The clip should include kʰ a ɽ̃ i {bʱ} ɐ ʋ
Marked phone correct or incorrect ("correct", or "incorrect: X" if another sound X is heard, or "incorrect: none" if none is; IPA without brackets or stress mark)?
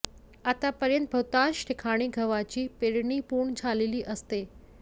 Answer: incorrect: ɡʱ